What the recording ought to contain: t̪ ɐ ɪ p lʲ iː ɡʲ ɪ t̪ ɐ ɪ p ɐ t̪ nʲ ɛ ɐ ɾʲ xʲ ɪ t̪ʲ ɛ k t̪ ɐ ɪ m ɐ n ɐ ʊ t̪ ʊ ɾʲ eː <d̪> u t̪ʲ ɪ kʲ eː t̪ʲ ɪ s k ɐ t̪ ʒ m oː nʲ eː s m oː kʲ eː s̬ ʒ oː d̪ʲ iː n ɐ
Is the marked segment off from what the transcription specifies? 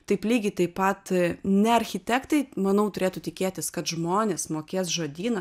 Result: yes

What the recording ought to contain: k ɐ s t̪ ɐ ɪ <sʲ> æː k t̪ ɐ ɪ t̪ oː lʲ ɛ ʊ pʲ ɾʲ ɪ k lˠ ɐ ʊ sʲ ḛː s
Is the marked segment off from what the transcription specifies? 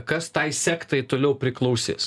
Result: no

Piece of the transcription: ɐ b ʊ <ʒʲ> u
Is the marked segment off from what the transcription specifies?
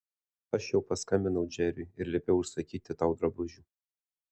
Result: no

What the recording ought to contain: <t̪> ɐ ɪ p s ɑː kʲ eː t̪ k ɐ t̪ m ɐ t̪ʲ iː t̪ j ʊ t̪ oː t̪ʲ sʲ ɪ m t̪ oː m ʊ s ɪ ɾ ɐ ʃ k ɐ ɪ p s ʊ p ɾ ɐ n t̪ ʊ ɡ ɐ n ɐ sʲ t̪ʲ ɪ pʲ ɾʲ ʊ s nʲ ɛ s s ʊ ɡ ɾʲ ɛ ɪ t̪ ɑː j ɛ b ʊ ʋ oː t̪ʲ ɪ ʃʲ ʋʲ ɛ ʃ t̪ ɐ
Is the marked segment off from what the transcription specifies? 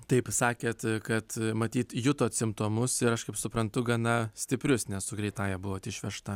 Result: no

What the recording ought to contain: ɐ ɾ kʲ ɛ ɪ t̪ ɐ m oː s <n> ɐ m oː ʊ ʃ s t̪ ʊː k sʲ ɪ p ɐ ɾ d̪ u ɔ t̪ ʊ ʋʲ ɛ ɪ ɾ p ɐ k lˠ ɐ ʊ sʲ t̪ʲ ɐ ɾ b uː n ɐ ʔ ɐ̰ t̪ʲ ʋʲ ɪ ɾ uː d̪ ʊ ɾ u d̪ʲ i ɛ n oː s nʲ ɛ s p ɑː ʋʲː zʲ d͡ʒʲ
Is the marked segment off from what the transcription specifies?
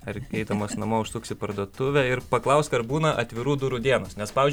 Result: no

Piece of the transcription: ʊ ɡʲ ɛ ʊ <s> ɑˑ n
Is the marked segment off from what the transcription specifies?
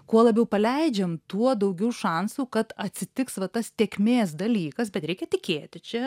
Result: yes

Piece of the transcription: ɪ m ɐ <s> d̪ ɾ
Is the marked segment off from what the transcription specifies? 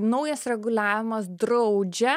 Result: no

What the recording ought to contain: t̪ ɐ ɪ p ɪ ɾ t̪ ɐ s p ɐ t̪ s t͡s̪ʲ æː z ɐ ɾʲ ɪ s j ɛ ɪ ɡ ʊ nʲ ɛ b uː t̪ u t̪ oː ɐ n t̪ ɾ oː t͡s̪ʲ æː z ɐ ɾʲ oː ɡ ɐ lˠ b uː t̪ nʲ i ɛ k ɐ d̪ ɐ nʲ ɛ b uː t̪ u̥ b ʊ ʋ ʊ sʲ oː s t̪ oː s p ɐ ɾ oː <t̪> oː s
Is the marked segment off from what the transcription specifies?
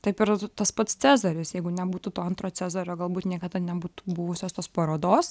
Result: yes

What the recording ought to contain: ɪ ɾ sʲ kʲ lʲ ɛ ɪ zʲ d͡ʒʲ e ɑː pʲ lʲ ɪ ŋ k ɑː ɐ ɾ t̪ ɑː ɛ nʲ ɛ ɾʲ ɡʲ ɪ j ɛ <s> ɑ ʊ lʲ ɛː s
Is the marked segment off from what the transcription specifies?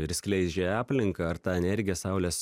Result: no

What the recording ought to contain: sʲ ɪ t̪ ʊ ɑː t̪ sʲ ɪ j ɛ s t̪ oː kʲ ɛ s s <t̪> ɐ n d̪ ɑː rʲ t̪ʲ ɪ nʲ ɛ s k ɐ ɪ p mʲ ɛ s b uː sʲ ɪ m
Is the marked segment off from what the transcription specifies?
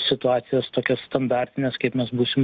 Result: no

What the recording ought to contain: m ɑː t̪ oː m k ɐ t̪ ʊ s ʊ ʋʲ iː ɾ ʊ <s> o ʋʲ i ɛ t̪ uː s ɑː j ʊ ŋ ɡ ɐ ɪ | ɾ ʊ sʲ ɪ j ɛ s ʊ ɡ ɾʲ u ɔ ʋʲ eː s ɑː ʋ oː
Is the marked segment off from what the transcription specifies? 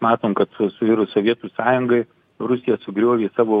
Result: no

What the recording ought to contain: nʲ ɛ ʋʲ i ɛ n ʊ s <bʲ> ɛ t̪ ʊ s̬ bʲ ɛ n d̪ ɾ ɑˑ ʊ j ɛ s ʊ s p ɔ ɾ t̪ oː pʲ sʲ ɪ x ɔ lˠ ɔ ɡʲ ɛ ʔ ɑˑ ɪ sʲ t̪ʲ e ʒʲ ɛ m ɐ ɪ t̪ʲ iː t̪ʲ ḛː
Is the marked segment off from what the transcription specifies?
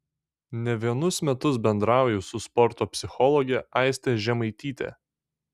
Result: yes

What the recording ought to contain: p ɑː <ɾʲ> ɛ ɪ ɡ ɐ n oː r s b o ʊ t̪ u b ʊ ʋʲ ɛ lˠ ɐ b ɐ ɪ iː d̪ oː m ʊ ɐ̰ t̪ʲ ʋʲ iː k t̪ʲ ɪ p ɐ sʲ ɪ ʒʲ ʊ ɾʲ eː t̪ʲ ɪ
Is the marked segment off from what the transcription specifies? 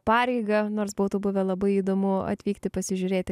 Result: no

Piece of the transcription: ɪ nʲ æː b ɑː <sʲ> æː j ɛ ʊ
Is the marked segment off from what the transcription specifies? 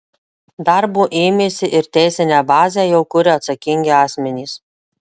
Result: yes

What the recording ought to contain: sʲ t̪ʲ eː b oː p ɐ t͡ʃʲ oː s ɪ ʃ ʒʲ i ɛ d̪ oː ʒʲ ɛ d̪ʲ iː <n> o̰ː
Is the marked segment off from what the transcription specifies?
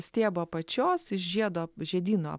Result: no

